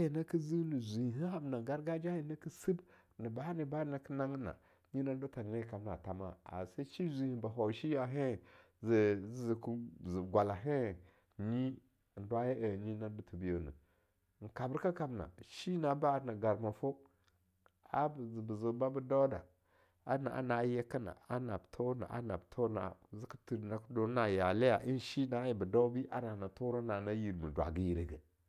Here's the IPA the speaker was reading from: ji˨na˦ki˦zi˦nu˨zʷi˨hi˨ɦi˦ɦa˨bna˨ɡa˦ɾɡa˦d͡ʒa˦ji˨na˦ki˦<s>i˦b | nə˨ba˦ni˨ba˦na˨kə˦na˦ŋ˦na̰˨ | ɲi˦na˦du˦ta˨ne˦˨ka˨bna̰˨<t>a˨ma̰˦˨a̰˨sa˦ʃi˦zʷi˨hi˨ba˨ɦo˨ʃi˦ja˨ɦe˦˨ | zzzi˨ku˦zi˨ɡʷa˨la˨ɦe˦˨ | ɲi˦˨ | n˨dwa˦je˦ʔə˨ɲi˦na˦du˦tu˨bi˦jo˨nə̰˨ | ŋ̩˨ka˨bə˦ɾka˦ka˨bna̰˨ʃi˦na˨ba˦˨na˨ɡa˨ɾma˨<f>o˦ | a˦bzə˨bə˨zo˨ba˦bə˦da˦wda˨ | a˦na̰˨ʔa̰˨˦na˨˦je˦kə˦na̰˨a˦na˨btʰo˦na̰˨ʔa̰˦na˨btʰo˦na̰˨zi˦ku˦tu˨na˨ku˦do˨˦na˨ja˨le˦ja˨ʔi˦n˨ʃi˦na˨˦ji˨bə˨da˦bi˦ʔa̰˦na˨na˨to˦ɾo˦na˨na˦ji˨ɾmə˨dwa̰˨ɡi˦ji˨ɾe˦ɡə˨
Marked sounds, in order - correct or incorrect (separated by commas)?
correct, correct, correct